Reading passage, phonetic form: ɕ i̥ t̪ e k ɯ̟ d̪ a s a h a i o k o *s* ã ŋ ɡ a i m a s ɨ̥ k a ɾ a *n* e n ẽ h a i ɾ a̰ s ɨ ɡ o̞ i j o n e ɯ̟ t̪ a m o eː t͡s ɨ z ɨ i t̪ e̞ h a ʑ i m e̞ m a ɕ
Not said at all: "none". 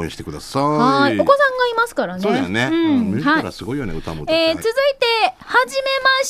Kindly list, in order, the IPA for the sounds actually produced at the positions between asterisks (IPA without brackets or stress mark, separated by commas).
s, n